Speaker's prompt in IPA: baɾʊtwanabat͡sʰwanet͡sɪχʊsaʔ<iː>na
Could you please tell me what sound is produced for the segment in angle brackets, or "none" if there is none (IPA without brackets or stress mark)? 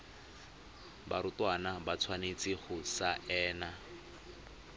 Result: ɛː